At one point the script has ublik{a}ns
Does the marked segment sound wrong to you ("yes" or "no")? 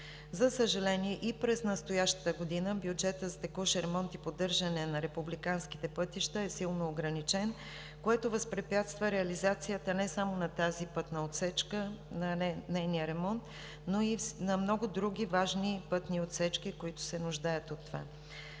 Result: no